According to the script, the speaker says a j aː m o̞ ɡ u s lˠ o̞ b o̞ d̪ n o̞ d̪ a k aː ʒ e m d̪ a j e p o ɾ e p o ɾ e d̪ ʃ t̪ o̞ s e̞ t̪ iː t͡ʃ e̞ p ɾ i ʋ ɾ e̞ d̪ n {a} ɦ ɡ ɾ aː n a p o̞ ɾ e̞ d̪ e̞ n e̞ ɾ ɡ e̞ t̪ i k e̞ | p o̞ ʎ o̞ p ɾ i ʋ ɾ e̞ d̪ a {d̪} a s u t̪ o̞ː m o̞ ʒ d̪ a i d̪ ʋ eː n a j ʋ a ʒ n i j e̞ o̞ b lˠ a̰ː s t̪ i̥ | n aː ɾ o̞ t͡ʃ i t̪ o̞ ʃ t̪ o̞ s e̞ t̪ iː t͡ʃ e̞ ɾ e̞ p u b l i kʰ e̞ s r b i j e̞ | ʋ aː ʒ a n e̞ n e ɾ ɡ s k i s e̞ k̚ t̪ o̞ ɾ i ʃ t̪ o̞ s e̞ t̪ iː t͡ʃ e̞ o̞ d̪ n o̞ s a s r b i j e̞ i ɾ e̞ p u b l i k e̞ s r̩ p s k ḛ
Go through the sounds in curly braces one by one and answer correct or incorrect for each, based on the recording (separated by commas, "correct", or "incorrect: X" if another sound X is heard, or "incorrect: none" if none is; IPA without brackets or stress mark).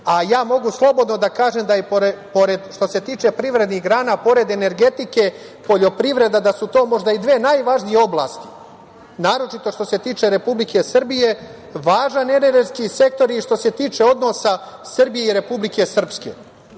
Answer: incorrect: i, correct